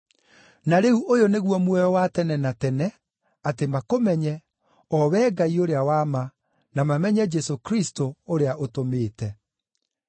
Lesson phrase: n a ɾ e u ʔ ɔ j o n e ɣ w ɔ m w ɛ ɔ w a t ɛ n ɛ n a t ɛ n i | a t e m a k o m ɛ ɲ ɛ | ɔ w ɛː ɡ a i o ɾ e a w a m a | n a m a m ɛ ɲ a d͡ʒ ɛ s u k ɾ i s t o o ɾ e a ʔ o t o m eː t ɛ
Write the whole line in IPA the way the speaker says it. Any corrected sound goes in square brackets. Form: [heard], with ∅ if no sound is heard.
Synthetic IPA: n a ɾ e u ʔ [o] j o n e ɣ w ɔ m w ɛ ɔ w a t ɛ n ɛ n a t ɛ n [ɛ] | a t e m a k o m ɛ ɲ ɛ | ɔ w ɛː ɡ a i o ɾ e a w a m a | n a m a m ɛ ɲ [ɛ] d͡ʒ ɛ s [o] k ɾ i s t o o ɾ e a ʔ o t o m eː t ɛ